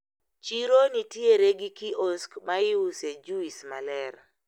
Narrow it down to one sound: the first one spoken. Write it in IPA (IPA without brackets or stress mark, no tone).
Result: t͡ʃ